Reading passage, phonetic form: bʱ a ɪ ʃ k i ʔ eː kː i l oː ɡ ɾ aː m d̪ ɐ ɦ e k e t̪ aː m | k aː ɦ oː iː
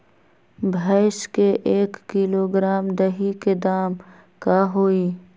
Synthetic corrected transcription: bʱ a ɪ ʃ k e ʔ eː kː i l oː ɡ ɾ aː m d̪ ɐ ɦ i k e d̪ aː m | k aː ɦ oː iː